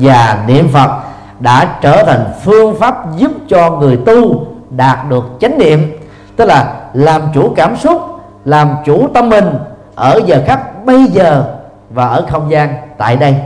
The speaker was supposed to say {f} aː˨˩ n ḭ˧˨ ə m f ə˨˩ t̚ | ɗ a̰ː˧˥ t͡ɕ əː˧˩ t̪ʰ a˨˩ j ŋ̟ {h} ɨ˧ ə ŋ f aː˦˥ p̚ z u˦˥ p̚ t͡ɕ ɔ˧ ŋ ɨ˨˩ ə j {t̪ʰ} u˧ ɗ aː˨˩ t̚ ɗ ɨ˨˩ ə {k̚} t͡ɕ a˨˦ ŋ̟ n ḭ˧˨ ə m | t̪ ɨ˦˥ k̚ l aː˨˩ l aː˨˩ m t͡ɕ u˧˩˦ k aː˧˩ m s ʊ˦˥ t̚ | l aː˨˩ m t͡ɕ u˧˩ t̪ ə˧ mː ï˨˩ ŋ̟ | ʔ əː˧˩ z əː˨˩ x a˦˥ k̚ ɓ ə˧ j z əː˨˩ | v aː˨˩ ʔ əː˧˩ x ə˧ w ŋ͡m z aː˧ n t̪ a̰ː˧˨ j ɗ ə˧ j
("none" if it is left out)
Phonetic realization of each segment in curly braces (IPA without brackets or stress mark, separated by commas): v, f, t̪, k̚